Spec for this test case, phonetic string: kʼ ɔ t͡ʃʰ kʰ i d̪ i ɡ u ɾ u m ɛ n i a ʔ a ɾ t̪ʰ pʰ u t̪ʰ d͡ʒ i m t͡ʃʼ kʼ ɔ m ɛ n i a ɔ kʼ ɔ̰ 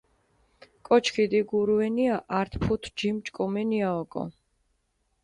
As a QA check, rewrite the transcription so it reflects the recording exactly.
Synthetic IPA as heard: kʼ ɔ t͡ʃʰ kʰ i d̪ i ɡ u ɾ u ɛ n i a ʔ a ɾ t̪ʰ pʰ u t̪ʰ d͡ʒ i m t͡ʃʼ kʼ ɔ m ɛ n i a ɔ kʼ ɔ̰

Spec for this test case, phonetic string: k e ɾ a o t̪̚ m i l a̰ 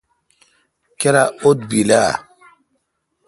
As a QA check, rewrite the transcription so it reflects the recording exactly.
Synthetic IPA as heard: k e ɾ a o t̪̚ b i l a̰

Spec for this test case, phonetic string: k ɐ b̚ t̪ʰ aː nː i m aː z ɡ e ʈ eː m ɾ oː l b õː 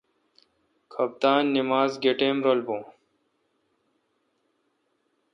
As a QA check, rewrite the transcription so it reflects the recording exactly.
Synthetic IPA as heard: kʰ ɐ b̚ t̪ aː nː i m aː z ɡ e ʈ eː m ɾ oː l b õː

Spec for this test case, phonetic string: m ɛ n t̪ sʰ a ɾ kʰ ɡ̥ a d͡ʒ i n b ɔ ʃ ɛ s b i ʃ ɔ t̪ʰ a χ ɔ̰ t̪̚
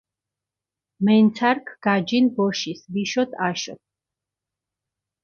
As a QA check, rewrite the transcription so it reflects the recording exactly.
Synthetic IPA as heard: m ɛ n t̪ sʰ a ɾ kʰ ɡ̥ a d͡ʒ i n b ɔ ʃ i s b i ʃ ɔ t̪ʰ a ʃ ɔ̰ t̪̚

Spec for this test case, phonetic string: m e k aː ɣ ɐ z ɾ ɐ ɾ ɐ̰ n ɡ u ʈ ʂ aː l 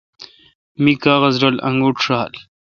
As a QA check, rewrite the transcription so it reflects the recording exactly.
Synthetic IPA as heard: m i k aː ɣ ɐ z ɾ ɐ l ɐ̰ ŋ ɡ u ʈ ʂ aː l

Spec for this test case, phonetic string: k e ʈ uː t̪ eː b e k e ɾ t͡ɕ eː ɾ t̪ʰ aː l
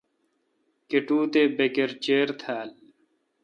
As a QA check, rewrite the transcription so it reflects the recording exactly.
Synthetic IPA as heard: k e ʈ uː t̪ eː b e k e ɾ t͡ɕ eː ɾ t̪ʰ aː l

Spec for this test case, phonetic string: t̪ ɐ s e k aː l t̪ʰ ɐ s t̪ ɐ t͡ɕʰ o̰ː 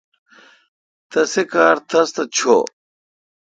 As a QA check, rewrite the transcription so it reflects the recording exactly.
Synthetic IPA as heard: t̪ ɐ s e k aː ɾ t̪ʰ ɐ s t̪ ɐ t͡ɕʰ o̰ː

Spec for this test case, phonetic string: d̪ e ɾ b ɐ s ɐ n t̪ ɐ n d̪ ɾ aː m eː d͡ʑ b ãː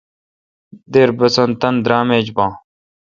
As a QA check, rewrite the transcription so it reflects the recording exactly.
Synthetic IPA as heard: d̪ e ɾ b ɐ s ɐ n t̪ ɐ n d̪ ɾ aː m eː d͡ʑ b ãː

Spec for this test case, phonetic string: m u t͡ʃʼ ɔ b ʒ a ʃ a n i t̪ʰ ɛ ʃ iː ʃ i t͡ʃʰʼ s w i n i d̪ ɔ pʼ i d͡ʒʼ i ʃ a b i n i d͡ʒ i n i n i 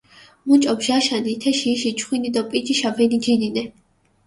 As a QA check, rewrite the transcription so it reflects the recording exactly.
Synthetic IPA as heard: m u t͡ʃʼ ɔ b ʒ a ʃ a n i t̪ʰ ɛ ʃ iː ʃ i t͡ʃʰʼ χ w i n i d̪ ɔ pʼ i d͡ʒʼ i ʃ a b ɛ n i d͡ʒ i n i n ɛ

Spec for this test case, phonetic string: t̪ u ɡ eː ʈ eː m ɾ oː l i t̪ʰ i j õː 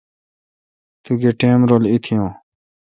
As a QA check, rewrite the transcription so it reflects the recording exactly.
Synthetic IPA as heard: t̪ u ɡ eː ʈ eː m ɾ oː l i t̪ʰ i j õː

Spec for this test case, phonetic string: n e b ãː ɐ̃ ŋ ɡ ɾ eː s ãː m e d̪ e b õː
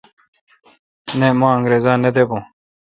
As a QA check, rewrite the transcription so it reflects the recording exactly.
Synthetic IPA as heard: n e m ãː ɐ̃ ŋ ɡ ɾ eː z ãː n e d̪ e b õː

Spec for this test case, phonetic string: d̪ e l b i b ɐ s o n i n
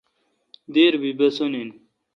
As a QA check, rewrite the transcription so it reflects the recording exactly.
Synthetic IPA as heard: d̪ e ɾ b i b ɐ s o n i n

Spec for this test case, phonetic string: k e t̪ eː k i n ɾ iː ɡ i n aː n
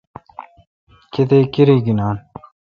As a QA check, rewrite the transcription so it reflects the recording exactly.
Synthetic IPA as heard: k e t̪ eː k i ɾ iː ɡ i n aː n

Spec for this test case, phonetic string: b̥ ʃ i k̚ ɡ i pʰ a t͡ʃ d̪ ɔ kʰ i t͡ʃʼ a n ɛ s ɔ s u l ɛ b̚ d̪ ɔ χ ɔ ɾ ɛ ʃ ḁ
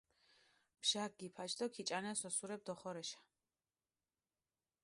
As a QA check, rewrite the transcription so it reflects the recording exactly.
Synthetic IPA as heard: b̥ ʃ a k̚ ɡ i pʰ a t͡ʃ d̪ ɔ kʰ i t͡ʃʼ a n ɛ s ɔ s u ɾ ɛ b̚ d̪ ɔ χ ɔ ɾ ɛ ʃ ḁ

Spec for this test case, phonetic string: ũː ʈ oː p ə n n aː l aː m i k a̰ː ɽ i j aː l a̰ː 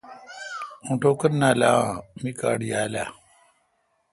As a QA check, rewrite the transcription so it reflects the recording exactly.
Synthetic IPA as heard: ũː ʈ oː k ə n n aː l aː m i k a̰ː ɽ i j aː l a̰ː

